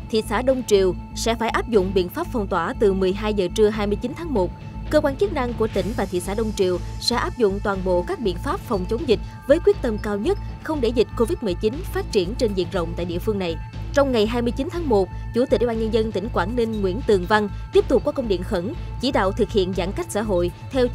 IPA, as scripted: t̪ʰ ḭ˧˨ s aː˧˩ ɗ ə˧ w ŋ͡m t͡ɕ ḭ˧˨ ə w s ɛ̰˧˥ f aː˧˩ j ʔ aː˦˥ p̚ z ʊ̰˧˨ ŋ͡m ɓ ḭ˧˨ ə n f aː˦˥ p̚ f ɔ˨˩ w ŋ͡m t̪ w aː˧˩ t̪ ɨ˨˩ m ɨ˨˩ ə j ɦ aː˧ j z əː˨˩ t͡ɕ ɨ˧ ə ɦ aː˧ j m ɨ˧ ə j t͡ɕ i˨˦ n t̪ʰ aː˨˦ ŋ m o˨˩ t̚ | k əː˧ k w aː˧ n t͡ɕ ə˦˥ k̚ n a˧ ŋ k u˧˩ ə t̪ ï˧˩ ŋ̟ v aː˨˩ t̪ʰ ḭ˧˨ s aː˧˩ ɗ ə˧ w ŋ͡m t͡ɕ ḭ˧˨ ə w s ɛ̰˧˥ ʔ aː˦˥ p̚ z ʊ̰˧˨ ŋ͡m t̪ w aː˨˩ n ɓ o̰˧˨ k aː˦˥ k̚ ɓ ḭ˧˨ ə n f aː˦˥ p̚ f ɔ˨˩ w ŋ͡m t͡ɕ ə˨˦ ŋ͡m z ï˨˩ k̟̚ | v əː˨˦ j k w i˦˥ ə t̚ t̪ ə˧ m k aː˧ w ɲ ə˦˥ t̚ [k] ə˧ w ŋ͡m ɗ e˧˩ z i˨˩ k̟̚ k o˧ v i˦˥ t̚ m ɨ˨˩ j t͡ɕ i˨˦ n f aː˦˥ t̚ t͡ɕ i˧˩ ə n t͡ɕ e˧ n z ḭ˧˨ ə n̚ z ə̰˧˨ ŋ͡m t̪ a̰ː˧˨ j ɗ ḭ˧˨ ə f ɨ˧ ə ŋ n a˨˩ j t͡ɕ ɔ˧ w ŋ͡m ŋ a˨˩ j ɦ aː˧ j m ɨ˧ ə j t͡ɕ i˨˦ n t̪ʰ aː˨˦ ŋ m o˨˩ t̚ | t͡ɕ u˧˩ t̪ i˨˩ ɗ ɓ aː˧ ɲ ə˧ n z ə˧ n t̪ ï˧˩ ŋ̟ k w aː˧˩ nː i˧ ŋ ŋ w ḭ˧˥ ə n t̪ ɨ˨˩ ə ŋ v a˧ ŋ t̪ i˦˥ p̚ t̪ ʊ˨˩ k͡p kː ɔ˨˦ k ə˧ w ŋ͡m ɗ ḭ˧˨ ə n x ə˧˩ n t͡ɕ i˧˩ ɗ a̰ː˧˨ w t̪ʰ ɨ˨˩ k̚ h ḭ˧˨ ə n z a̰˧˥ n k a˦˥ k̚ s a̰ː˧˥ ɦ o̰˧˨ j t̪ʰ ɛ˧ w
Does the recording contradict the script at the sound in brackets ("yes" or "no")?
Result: yes